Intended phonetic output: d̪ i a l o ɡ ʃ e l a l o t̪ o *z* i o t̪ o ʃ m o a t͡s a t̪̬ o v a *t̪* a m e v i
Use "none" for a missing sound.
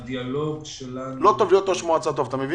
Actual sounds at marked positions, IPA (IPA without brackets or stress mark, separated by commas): v, t̪